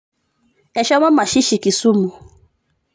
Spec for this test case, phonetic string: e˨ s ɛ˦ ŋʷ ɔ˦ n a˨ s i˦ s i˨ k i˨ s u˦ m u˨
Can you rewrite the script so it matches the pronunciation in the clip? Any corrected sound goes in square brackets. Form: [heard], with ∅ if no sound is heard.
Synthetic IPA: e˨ [ʃ] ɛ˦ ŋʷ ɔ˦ [m] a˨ [ʃ] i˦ [ʃ] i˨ k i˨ s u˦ m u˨